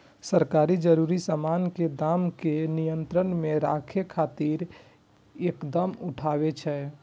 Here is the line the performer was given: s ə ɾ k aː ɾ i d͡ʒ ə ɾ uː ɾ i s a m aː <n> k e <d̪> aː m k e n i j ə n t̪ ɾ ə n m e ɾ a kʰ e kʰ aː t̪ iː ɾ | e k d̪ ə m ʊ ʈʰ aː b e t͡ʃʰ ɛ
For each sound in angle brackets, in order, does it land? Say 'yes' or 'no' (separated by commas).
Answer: yes, yes